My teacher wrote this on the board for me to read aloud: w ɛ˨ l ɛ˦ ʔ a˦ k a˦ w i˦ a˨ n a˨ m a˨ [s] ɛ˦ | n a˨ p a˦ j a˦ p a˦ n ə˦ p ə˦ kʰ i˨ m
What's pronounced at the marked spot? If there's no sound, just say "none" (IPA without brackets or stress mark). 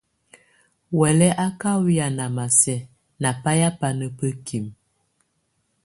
s